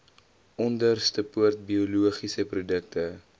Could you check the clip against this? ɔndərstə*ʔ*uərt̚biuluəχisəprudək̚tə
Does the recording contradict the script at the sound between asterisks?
yes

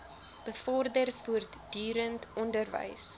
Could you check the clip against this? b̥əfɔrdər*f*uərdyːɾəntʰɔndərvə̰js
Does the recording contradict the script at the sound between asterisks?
no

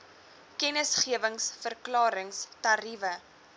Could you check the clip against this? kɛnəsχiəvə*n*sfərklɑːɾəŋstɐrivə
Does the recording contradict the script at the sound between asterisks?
yes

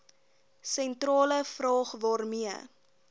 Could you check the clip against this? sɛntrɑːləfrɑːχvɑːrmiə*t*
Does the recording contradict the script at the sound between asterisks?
yes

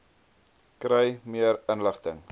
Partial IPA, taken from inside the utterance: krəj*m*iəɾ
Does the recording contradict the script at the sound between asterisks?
no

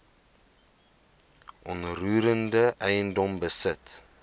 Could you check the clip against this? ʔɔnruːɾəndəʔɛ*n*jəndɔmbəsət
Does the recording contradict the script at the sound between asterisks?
yes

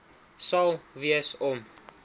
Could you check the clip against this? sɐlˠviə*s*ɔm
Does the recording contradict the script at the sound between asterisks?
no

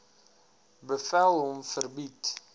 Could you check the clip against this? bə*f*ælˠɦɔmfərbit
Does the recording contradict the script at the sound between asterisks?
no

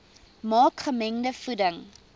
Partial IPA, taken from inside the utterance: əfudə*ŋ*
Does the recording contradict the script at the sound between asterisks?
no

